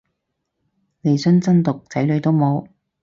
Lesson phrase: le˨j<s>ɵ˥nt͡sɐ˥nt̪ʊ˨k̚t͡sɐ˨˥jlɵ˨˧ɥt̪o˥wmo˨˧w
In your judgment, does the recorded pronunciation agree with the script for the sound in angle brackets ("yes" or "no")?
yes